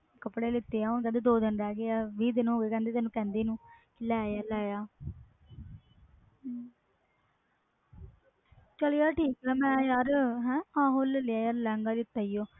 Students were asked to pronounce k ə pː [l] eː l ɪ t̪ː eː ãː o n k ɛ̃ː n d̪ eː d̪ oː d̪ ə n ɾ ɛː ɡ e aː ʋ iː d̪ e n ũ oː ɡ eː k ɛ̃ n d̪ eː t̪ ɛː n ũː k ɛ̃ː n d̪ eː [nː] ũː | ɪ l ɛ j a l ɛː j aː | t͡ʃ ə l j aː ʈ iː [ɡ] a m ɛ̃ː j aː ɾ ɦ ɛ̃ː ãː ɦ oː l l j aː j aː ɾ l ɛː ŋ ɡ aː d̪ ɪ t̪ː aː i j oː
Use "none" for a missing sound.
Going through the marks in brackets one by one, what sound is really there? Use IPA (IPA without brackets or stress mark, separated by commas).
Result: ɽ, n, k